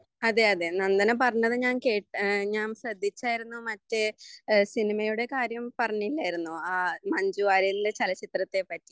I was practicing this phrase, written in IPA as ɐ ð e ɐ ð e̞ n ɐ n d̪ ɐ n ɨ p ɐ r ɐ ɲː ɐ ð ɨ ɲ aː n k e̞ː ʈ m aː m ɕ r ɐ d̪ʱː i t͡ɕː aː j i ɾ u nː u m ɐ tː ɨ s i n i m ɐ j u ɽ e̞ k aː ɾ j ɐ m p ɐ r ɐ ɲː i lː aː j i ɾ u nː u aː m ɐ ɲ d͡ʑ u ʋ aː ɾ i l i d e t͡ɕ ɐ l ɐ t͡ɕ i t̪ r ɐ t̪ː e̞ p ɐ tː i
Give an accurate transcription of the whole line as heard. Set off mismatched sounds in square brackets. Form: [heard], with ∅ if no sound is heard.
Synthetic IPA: ɐ ð e ɐ ð e̞ n ɐ n d̪ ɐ n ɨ p ɐ r ɐ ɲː ɐ ð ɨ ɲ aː n k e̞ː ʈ [ɲ] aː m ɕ r ɐ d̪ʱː i t͡ɕː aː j i ɾ u nː u m ɐ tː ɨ s i n i m ɐ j u ɽ e̞ k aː ɾ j ɐ m p ɐ r ɐ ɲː i lː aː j i ɾ u nː u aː m ɐ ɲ d͡ʑ u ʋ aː ɾ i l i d e t͡ɕ ɐ l ɐ t͡ɕ i t̪ r ɐ t̪ː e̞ p ɐ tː i